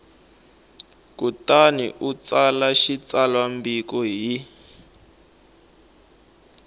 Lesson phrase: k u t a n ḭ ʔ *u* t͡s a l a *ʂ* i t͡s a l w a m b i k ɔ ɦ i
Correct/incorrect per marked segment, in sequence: correct, incorrect

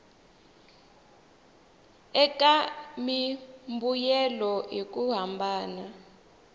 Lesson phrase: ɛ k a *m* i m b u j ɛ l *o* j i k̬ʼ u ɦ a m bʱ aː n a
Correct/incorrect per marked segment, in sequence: correct, incorrect

